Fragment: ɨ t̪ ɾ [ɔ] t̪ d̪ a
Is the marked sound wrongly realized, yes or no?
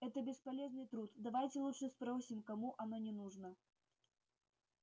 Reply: yes